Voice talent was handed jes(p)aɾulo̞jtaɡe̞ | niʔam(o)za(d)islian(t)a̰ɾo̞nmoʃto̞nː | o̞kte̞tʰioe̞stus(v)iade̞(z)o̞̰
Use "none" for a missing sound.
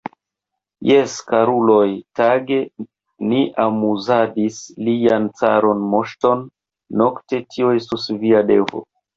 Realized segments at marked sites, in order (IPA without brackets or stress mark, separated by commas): k, u, d, t͡s, v, v